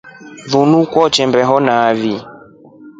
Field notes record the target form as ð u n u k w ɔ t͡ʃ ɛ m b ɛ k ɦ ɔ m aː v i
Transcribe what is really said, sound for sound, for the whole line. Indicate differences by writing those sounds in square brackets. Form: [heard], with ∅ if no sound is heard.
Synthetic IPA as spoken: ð u n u k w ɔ t͡ʃ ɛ m b ɛ [∅] ɦ ɔ [n] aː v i